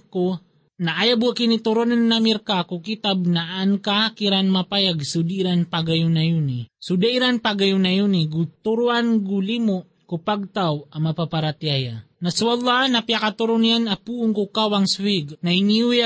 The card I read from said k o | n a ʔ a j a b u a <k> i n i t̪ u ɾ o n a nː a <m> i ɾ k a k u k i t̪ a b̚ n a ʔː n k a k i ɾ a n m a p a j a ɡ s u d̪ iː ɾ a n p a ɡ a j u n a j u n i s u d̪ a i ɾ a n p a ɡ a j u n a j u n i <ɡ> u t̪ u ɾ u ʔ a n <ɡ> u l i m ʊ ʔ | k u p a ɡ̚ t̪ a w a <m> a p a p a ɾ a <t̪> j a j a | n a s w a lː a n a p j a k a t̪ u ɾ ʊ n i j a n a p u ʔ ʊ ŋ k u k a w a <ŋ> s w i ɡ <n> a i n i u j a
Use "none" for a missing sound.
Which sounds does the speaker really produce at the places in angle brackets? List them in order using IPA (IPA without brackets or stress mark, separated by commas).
k, m, ɡ, ɡ, m, t̪, ŋ, n